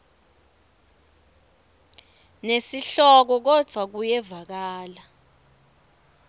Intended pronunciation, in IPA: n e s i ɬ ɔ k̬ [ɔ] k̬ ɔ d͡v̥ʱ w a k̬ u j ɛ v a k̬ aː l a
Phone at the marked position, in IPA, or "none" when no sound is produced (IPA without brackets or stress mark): ɔ